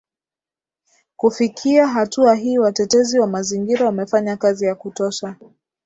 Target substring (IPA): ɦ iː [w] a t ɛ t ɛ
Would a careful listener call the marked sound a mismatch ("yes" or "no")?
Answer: no